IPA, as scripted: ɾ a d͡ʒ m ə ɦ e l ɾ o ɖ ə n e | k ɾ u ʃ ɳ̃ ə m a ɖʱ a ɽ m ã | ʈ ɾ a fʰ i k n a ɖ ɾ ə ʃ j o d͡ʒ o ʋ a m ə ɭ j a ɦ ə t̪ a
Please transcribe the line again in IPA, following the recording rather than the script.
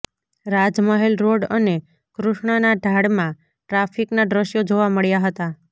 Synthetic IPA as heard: ɾ a d͡ʒ m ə ɦ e l ɾ o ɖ ə n e | k ɾ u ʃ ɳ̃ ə n a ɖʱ a ɽ m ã | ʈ ɾ a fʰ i k n a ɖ ɾ ə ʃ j o d͡ʒ o ʋ a m ə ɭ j a ɦ ə t̪ a

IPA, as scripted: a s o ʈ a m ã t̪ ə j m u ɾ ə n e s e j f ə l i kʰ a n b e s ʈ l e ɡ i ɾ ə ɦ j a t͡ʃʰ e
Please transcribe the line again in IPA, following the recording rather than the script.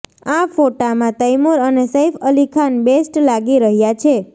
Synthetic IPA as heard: a f o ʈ a m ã t̪ ə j m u ɾ ə n e s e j f ə l i kʰ a n b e s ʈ l a ɡ i ɾ ə ɦ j a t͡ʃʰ e

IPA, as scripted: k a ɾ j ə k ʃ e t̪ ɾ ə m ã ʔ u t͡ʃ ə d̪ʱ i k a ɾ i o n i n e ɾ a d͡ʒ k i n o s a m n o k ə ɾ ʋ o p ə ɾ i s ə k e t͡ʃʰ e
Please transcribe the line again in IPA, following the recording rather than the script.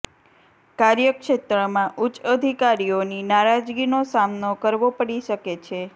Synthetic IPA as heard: k a ɾ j ə k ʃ e t̪ ɾ ə m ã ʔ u t͡ʃ ə d̪ʱ i k a ɾ i o n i n a ɾ a d͡ʒ ɡ i n o s a m n o k ə ɾ ʋ o p ə ɽ i ʃ ə k e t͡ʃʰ e

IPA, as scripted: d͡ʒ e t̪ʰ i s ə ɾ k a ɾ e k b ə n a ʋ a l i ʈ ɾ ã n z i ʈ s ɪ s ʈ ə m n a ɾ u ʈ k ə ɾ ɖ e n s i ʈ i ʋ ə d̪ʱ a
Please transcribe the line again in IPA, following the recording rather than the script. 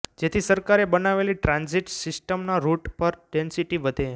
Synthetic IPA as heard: d͡ʒ e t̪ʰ i s ə ɾ k a ɾ e b ə n a ʋ e l i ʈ ɾ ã n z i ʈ s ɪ s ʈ ə m n a ɾ u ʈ p ə ɾ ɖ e n s i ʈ i ʋ ə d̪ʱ e

